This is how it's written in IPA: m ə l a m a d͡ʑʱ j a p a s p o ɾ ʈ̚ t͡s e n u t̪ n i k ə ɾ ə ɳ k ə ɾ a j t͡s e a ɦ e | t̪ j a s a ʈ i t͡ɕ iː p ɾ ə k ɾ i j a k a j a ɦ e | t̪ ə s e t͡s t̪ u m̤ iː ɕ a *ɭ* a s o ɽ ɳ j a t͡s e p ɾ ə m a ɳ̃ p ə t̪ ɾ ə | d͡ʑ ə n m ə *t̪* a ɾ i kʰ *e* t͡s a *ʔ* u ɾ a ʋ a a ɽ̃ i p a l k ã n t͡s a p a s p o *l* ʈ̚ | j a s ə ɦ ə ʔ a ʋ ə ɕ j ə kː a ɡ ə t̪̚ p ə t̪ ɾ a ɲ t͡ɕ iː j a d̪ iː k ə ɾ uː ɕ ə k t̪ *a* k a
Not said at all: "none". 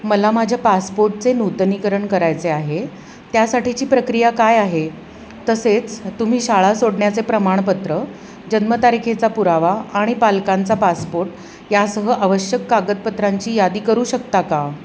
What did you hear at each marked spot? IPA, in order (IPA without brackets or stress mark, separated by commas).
ɭ, t̪, e, p, ɾ, a